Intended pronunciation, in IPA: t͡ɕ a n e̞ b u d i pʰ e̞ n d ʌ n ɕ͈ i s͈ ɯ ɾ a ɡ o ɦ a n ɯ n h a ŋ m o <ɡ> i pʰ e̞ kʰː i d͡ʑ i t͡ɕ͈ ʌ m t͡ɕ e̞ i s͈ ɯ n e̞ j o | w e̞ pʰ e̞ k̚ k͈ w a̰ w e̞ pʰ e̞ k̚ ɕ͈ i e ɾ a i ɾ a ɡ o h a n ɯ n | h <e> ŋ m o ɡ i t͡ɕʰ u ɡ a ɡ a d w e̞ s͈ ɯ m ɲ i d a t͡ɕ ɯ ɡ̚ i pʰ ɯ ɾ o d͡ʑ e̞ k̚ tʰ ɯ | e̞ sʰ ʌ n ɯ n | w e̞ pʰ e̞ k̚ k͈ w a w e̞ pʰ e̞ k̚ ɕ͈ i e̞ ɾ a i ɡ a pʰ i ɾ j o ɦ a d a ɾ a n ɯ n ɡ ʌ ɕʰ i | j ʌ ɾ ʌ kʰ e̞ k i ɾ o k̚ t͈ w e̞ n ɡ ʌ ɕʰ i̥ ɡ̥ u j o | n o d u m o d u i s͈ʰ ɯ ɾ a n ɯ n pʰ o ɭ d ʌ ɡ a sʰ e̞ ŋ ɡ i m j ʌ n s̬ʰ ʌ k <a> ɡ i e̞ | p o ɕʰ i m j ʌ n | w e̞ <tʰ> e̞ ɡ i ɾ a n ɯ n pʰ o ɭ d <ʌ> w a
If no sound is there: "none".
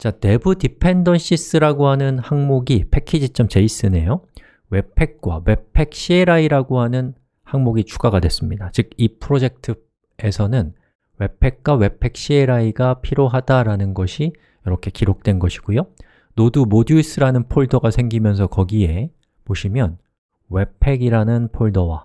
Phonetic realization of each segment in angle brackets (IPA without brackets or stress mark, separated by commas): ɡ, a, ʌ, pʰ, ʌ